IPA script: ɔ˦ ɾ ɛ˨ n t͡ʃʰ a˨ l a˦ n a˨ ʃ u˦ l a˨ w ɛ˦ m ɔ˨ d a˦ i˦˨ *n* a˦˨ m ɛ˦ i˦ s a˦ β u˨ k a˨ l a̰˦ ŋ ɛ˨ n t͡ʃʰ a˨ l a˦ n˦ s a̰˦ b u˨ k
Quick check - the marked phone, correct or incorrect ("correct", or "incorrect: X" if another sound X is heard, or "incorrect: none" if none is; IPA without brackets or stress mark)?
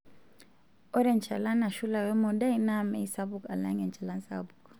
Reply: correct